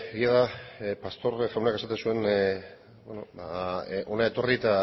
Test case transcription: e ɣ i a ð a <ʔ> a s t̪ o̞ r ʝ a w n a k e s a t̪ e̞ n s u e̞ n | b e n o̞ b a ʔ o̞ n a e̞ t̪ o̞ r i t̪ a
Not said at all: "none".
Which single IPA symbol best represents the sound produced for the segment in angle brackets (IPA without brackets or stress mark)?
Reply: p